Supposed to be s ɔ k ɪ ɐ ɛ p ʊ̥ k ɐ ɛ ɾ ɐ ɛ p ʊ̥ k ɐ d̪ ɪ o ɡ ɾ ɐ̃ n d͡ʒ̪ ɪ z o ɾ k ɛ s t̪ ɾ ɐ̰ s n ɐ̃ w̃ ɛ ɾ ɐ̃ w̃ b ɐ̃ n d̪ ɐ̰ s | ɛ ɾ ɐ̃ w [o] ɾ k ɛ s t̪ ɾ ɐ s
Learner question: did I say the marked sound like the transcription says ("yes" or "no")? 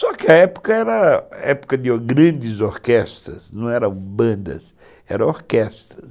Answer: yes